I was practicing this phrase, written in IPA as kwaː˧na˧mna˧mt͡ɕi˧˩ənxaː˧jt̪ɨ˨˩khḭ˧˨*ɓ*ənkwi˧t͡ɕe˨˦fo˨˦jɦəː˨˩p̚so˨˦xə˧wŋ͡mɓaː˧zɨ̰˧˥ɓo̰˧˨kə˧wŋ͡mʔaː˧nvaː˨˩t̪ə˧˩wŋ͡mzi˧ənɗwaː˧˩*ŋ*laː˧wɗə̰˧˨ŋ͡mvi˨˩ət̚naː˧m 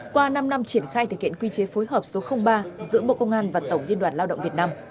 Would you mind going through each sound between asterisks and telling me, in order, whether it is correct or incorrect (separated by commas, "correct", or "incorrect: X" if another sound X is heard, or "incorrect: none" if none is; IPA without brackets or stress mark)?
incorrect: none, incorrect: n